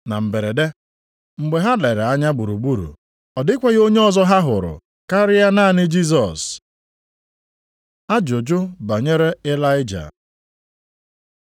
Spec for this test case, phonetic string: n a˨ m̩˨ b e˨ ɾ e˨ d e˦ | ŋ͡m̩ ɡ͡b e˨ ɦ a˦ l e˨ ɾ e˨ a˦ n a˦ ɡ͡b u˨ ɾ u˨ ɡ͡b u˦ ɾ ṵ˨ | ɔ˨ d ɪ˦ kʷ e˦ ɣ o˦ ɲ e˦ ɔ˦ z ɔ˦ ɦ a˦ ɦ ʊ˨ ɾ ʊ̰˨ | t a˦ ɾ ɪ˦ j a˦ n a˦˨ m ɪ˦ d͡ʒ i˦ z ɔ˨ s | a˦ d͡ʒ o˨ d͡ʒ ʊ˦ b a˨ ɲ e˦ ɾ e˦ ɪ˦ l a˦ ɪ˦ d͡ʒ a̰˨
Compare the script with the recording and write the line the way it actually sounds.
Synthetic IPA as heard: n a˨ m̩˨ b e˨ ɾ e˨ d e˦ | ŋ͡m̩ ɡ͡b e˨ ɦ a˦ l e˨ ɾ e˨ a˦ ɲ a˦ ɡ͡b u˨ ɾ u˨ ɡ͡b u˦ ɾ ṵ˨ | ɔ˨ d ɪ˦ kʷ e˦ ɣ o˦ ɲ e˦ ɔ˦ z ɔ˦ ɦ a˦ ɦ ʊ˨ ɾ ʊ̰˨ | k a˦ ɾ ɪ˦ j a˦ n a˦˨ n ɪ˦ d͡ʒ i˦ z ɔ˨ s | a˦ d͡ʒ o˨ d͡ʒ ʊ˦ b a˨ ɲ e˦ ɾ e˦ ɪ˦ l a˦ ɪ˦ d͡ʒ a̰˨